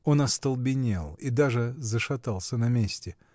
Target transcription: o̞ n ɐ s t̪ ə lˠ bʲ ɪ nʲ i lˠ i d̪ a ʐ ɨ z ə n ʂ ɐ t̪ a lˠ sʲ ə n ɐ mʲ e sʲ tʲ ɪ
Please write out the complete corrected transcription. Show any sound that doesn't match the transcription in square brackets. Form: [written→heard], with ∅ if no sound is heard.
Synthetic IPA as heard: o̞ n ɐ s t̪ ə lˠ bʲ ɪ nʲ [i→e] lˠ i d̪ a ʐ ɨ z ə [n→∅] ʂ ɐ t̪ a lˠ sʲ ə n ɐ mʲ e sʲ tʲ ɪ